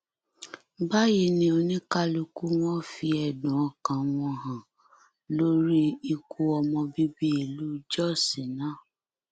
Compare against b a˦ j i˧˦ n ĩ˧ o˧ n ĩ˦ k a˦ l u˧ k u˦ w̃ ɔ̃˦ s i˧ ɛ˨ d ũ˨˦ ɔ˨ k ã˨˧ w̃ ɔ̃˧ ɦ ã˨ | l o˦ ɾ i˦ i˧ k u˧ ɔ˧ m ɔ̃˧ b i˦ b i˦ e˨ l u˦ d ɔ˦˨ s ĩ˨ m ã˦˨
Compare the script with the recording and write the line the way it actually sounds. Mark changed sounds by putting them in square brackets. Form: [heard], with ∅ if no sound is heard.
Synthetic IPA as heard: b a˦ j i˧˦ n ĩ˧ o˧ n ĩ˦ k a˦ l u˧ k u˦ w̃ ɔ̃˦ [f] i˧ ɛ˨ d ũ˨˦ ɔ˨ k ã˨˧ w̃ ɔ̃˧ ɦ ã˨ | l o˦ ɾ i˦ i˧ k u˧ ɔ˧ m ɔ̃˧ b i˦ b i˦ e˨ l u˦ [d͡ʒ] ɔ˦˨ s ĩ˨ [n] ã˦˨